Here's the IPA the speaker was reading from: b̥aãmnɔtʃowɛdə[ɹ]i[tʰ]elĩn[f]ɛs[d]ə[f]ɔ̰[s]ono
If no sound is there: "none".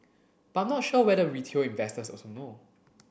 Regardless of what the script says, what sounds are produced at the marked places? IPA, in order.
ɹ, tʰ, v, t, s, s

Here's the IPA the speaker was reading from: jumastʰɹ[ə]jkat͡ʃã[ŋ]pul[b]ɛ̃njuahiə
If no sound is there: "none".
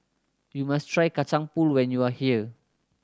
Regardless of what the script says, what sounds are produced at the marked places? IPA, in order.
a, ŋ, w

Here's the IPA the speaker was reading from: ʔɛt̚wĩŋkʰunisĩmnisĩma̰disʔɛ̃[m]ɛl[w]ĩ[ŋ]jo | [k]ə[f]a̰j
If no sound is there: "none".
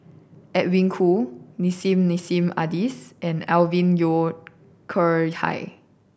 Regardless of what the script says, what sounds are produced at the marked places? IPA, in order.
n, v, n, kʰ, h

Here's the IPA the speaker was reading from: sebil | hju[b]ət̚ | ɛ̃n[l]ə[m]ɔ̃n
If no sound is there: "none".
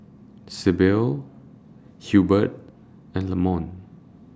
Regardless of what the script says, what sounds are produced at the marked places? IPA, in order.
b, l, m

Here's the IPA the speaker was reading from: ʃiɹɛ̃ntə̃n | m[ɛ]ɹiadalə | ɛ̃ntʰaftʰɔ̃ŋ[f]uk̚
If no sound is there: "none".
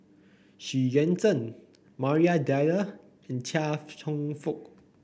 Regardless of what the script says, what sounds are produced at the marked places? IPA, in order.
a, f

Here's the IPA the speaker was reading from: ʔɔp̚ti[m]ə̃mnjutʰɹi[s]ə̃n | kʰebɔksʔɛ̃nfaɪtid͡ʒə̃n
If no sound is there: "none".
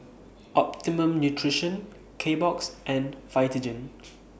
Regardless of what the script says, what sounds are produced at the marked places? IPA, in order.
m, ʃ

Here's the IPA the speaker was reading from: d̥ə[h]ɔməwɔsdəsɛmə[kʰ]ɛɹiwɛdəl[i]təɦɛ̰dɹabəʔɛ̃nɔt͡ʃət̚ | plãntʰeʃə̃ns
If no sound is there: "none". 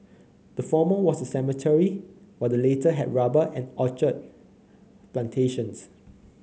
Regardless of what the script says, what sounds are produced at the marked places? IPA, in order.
f, tʰ, e

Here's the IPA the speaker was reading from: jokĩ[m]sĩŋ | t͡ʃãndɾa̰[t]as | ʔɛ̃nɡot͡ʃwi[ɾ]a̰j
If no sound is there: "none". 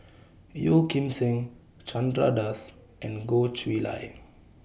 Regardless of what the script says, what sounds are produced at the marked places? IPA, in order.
m, d, l

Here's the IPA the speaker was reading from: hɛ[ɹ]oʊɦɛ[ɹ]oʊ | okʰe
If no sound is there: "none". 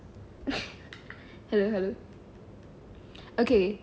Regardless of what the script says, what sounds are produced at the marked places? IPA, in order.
l, l

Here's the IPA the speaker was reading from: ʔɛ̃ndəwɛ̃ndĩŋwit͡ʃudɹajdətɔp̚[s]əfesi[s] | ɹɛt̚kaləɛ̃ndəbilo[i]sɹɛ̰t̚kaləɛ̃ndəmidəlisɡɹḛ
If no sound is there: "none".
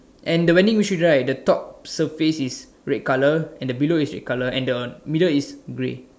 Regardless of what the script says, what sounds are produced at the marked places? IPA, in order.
s, s, i

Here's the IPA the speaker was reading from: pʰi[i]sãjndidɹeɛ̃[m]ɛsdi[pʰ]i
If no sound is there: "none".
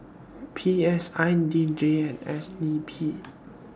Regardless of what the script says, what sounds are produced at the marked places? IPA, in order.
ɛ, n, pʰ

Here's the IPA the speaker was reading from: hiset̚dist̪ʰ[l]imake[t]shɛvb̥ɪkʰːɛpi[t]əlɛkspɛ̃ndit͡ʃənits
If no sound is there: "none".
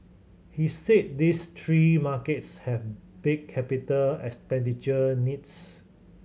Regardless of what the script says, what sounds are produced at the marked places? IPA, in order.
ɹ, t, t

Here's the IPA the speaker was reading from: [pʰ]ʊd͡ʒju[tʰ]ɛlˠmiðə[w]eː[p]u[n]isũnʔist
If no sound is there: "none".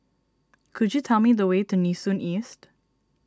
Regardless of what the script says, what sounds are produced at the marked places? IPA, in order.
kʰ, tʰ, w, t, n

